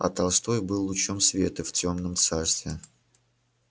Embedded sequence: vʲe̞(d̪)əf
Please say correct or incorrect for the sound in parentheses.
incorrect